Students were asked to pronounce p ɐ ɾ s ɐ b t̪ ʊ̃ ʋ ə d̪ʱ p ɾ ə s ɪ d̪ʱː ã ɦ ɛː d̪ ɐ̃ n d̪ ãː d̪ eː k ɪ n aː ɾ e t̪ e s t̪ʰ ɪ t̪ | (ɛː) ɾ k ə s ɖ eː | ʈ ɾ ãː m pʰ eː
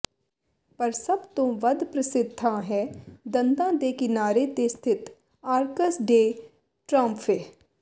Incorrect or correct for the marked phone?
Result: incorrect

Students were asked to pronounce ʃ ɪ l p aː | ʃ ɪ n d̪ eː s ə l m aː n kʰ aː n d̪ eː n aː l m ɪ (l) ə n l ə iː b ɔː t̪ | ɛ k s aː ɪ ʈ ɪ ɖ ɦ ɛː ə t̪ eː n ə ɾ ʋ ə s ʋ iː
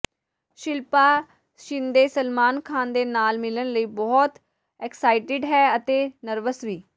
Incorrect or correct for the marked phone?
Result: correct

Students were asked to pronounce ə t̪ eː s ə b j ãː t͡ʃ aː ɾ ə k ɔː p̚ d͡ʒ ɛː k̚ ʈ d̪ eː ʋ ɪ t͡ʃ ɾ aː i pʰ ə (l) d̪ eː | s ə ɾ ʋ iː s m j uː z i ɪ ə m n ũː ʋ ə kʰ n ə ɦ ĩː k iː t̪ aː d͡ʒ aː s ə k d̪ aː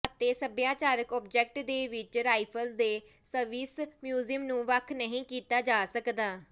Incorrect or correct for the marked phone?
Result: correct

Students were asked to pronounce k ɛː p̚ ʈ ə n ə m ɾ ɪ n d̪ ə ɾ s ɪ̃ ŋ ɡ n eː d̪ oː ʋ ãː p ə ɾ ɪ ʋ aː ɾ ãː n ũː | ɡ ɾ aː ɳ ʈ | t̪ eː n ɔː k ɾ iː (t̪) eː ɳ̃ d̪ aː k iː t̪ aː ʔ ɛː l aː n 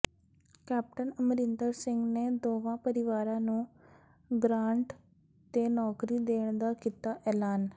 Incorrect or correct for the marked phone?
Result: incorrect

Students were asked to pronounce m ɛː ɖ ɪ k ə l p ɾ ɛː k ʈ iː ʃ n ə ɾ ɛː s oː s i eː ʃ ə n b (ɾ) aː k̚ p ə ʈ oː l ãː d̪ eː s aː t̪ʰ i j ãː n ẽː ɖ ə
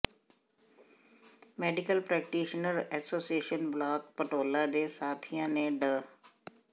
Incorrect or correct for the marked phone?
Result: incorrect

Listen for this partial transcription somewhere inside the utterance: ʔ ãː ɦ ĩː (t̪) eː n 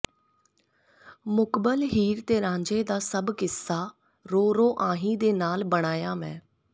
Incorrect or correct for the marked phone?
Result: incorrect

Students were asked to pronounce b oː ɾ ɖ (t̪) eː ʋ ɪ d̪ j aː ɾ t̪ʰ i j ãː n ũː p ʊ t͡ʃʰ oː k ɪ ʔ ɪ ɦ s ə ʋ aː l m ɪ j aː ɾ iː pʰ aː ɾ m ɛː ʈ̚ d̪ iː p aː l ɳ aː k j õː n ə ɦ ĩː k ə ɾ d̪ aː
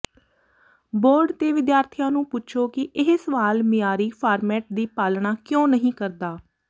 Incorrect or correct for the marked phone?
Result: correct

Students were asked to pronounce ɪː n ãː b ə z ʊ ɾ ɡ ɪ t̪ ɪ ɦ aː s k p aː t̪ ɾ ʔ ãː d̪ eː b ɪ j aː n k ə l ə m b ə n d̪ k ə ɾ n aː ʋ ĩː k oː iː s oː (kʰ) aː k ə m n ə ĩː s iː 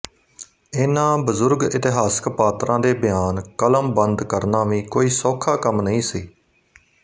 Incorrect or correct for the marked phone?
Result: correct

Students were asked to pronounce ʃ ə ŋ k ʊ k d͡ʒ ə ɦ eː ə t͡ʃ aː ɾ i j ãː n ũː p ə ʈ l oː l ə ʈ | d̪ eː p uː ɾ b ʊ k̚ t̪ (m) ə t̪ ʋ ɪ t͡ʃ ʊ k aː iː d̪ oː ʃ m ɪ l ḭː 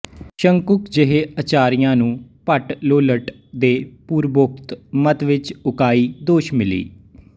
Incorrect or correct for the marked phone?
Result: correct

